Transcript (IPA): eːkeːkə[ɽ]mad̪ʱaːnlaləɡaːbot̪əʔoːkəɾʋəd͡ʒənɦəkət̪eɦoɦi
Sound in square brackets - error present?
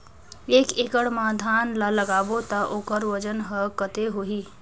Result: no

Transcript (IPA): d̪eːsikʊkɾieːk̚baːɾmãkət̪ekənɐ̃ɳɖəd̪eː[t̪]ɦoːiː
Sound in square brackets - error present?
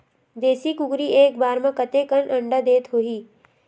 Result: no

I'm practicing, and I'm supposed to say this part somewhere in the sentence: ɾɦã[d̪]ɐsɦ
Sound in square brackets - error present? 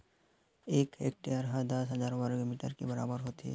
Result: no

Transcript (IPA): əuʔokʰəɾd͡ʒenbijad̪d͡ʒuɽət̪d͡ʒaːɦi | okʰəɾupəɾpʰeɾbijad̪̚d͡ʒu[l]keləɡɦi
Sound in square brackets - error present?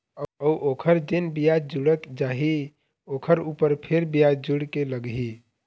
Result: yes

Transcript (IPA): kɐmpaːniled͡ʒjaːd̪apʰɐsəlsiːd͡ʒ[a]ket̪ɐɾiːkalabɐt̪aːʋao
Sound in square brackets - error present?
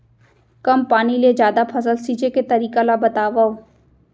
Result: yes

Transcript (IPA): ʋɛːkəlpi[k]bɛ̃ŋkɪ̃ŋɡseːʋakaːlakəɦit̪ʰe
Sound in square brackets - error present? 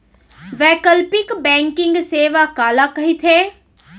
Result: no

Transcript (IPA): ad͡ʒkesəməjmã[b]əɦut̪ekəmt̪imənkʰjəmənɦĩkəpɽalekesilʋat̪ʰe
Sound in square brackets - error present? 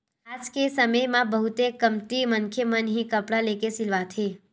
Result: no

